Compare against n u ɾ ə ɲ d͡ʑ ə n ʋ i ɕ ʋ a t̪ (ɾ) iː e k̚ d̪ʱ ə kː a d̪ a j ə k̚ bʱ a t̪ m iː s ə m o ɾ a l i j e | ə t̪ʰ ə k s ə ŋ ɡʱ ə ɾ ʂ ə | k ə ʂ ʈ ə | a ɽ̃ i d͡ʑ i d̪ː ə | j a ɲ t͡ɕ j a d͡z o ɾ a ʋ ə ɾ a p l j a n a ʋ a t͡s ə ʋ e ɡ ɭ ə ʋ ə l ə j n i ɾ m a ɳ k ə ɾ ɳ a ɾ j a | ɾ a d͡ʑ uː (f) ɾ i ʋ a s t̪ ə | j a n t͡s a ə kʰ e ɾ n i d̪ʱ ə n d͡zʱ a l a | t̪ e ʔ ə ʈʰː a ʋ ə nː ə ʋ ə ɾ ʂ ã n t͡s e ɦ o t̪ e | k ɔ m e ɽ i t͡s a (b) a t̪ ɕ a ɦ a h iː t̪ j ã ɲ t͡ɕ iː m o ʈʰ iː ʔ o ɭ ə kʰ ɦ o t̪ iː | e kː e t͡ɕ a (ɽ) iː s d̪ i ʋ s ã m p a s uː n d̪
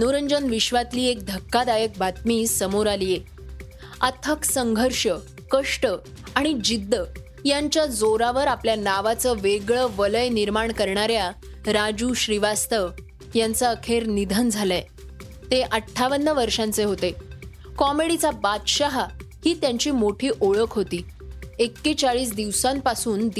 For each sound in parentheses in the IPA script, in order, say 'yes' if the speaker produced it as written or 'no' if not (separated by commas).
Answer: no, no, yes, no